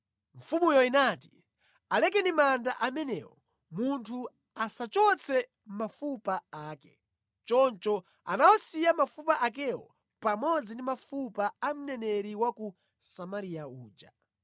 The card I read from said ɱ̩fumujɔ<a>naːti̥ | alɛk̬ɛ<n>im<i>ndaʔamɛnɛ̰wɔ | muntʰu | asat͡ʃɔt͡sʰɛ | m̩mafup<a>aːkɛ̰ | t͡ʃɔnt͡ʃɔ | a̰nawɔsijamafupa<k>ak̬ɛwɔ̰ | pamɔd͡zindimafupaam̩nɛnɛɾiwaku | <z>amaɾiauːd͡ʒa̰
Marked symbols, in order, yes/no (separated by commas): no, yes, no, yes, no, no